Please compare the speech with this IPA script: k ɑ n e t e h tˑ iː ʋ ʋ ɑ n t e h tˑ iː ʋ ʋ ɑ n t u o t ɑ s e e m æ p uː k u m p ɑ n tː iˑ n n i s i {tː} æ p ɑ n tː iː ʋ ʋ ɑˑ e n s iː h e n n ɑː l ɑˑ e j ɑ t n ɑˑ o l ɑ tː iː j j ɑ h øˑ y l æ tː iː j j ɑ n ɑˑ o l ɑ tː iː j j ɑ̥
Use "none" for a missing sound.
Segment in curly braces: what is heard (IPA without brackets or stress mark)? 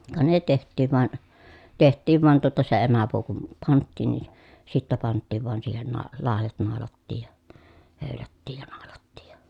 tː